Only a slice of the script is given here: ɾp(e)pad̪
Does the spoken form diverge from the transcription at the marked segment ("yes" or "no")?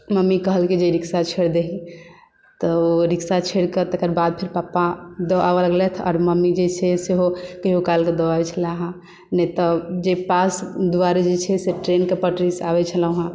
yes